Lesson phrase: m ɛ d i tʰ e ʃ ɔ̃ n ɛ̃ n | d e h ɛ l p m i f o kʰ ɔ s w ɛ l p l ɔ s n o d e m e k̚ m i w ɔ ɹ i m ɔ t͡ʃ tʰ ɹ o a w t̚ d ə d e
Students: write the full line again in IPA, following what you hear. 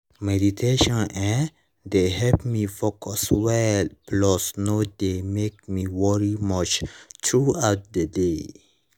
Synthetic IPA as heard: m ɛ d i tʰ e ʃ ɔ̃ n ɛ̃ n | d e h ɛ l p m i f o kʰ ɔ s w ɛ l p l ɔ s n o d e m e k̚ m i w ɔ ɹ i m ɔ t͡ʃ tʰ ɹ u a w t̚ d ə d e